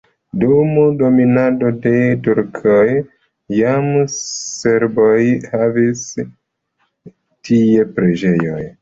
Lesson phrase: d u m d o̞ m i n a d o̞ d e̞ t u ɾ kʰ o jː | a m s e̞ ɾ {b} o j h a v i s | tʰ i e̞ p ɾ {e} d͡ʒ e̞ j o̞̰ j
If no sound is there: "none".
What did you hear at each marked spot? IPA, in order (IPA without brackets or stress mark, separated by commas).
b, e